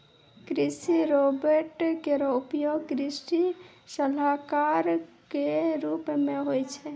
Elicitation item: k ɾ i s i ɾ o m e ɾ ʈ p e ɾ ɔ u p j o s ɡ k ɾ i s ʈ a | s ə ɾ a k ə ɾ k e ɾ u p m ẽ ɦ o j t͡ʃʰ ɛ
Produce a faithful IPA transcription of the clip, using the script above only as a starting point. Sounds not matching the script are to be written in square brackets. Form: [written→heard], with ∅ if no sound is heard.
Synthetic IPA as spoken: k ɾ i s i ɾ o [m→b] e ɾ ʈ [p→k] e ɾ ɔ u p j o [s→∅] ɡ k ɾ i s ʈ [a→i] | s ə [ɾ→l] a k [ə→a] ɾ k e ɾ u p m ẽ ɦ o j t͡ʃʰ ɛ

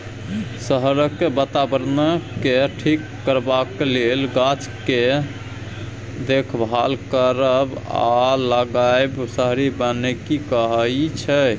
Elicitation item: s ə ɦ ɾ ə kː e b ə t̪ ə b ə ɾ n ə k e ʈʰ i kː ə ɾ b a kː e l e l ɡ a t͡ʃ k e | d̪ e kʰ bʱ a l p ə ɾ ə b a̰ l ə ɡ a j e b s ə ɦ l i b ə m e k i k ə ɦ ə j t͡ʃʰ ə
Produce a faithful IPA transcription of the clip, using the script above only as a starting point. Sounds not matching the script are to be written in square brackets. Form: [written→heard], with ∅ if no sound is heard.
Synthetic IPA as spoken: s ə ɦ ɾ ə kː e b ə t̪ [ə→a] b ə ɾ n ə k e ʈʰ i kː ə ɾ b a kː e l e l ɡ a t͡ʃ k e | d̪ e kʰ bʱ a l [p→k] ə ɾ ə b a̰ l ə ɡ a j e b s ə ɦ [l→ɾ] i b ə [m→n] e k i k ə ɦ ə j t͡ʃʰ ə

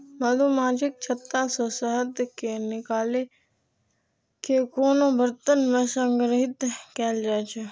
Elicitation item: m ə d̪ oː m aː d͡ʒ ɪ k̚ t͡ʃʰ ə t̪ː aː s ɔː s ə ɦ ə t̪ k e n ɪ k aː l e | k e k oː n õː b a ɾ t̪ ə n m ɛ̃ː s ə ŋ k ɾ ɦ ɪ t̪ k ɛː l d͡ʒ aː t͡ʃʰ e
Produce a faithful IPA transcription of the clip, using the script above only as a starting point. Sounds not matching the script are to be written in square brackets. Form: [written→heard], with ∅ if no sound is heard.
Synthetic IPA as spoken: m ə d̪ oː m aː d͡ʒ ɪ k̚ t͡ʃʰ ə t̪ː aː s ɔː s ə ɦ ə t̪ k e n ɪ k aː l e | k e k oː n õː b [a→ə] ɾ t̪ ə n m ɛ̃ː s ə ŋ [k→ɡ] ɾ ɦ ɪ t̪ k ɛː l d͡ʒ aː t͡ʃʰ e

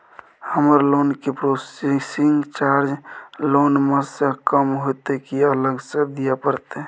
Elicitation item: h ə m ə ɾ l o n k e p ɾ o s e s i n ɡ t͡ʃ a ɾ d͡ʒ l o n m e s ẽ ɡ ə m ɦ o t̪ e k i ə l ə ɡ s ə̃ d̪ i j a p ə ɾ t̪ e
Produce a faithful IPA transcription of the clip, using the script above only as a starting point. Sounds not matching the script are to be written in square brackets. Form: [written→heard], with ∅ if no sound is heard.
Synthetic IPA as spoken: h ə m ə ɾ l o n k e p ɾ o s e s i [n→ŋ] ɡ t͡ʃ a ɾ d͡ʒ l o n m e s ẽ [ɡ→k] ə m ɦ o t̪ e k i ə l ə ɡ s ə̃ d̪ i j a p ə ɾ t̪ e

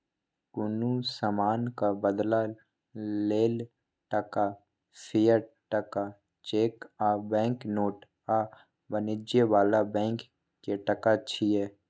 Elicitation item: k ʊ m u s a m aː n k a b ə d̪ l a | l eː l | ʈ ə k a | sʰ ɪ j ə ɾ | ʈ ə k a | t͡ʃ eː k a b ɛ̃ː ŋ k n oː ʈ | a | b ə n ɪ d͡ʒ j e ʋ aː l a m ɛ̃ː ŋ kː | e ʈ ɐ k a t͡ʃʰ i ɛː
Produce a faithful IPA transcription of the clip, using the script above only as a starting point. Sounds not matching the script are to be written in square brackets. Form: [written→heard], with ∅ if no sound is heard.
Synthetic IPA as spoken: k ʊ [m→n] u s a m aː n k a b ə d̪ l a | l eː l | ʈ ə k a | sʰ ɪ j ə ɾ | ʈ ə k a | t͡ʃ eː k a b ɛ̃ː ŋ k n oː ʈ | a | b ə n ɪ d͡ʒ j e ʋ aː l a [m→b] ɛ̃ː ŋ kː | e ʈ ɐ k a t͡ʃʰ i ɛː

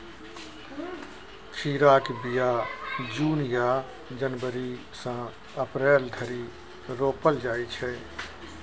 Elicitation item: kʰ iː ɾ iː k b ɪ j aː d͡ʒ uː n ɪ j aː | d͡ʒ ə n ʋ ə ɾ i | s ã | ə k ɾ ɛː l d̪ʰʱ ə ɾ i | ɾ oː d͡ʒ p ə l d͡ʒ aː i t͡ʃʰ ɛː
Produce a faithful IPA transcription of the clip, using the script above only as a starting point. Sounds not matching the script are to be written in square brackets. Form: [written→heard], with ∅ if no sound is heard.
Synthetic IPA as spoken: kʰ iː ɾ [iː→aː] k b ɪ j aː d͡ʒ uː n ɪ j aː | d͡ʒ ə n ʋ ə ɾ i | s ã | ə [k→p] ɾ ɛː l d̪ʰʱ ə ɾ i | ɾ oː [d͡ʒ→∅] p ə l d͡ʒ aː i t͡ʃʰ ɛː

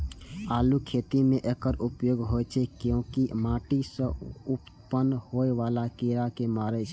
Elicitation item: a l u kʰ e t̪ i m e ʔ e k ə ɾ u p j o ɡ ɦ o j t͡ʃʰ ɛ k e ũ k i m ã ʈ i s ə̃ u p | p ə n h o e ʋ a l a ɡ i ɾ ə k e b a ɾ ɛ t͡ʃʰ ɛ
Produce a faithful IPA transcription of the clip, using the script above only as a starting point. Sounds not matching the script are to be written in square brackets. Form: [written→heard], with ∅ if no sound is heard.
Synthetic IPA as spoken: a l u kʰ e t̪ i m e ʔ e k ə ɾ u p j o ɡ ɦ o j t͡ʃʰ ɛ k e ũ k i m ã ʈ i s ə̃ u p | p ə n h o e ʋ a l a [ɡ→k] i ɾ [ə→a] k e [b→m] a ɾ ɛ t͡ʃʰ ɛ

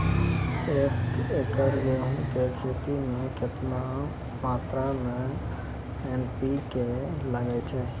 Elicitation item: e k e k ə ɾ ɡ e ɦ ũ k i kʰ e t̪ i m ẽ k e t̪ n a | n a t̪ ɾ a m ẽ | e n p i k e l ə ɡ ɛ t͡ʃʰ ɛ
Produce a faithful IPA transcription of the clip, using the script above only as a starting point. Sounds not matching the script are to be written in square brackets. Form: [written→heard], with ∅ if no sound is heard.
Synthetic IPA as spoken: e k e k ə ɾ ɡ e ɦ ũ k [i→e] kʰ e t̪ i m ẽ k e t̪ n a | [n→m] a t̪ ɾ a m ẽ | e n p i k e l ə ɡ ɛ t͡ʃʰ ɛ

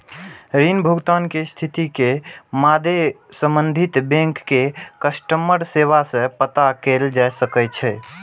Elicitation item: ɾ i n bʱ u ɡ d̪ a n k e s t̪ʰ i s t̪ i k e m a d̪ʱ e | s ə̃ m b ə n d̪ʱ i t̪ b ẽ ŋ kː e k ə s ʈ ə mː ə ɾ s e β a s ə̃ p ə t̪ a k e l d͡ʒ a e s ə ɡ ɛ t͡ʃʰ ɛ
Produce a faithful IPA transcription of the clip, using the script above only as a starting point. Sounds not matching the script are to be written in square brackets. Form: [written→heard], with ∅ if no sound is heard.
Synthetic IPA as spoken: ɾ i n bʱ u ɡ [d̪→t̪] a n k e s t̪ʰ i [s→∅] t̪ i k e m a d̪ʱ e | s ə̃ m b ə n d̪ʱ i t̪ b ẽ ŋ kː e k ə s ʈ ə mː ə ɾ s e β a s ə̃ p ə t̪ a k e l d͡ʒ a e s ə [ɡ→k] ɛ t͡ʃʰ ɛ

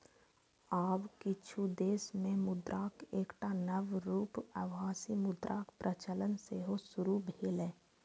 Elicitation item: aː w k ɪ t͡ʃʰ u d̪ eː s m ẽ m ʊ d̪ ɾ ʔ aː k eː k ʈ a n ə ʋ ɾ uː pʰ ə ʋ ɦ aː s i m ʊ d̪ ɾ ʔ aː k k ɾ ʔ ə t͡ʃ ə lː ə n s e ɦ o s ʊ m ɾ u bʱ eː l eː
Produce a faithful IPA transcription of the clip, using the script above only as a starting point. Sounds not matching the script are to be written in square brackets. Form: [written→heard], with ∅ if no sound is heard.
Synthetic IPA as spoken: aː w k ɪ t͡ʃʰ u d̪ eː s m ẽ m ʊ d̪ ɾ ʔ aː k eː k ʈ a n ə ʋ ɾ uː [pʰ→p] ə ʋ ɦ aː s i m ʊ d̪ ɾ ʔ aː k [k→p] ɾ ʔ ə t͡ʃ ə [lː→l] ə n s e ɦ o s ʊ [m→∅] ɾ u bʱ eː l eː

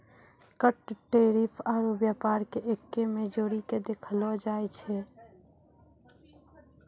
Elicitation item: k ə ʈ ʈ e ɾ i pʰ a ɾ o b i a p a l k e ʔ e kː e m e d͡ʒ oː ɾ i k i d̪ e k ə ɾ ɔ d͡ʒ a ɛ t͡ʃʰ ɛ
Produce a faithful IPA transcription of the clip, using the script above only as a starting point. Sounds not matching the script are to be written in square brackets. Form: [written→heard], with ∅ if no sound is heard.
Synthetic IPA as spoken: k ə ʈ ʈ e ɾ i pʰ a ɾ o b [i→j] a p a [l→ɾ] k e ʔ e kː e m e d͡ʒ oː ɾ i k [i→e] d̪ e [k→kʰ] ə [ɾ→l] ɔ d͡ʒ a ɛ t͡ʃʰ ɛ

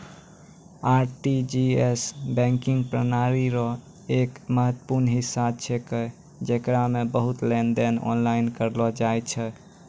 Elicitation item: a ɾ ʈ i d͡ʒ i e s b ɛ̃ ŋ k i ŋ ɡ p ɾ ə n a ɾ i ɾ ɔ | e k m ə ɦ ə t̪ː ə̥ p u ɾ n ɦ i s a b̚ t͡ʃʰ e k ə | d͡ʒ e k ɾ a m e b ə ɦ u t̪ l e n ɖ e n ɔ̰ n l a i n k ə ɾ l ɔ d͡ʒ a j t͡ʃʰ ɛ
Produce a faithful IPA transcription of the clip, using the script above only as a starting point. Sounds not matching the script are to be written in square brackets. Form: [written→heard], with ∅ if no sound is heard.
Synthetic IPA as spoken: a ɾ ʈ i d͡ʒ i e s b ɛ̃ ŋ k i ŋ ɡ p ɾ ə n a ɾ i ɾ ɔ | e k m ə ɦ ə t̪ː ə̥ p u ɾ n ɦ i s a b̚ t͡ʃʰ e k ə | d͡ʒ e k ɾ a m e b ə ɦ u t̪ l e n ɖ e n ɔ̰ n l a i n k ə ɾ l ɔ d͡ʒ a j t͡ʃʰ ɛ

